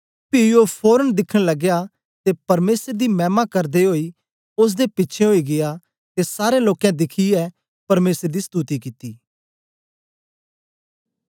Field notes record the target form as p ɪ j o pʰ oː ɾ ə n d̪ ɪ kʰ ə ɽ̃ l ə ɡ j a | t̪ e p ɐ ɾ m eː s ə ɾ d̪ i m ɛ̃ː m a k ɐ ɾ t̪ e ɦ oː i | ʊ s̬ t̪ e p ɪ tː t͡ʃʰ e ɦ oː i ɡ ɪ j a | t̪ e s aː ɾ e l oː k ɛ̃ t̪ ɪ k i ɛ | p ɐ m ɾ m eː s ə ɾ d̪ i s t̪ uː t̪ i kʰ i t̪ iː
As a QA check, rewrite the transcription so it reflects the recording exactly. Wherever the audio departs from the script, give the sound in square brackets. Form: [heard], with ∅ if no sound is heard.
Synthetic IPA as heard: p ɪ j o pʰ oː ɾ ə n d̪ ɪ kʰ ə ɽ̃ l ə ɡ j a | t̪ e p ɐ ɾ m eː s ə ɾ d̪ i m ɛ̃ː m a k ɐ ɾ [d̪] e ɦ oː i | ʊ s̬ [d̪] e p ɪ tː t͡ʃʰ e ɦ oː i ɡ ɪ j a | t̪ e s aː ɾ e l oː k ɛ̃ [d̪] ɪ [kʰ] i ɛ | p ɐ [∅] ɾ m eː s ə ɾ d̪ i s t̪ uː t̪ i [k] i t̪ iː